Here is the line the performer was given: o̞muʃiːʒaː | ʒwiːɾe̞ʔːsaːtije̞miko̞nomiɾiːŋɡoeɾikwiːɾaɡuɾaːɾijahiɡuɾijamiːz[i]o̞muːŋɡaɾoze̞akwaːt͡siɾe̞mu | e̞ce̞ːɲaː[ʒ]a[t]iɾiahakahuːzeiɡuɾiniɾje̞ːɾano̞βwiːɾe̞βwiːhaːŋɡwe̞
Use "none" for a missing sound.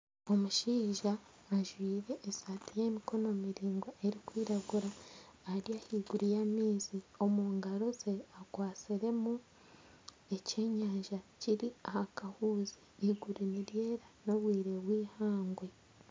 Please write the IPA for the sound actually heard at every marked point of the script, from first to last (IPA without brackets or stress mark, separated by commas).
i, ʒ, c